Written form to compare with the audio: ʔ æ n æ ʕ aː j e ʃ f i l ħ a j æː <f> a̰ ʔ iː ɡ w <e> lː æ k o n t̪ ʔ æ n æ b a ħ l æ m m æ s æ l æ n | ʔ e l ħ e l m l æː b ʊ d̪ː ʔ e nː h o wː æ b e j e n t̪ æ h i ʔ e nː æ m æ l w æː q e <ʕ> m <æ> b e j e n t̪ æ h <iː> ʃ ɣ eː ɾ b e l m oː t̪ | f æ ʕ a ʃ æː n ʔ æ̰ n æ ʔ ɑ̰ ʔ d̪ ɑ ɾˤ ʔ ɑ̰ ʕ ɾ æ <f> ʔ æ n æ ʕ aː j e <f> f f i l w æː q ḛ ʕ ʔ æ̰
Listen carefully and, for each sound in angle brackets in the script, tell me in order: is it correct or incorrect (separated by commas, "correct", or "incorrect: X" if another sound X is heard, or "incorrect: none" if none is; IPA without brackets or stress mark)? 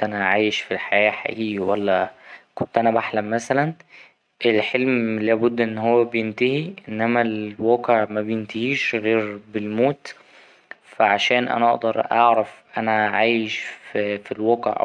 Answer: incorrect: ħ, incorrect: æ, correct, correct, correct, correct, incorrect: ʃ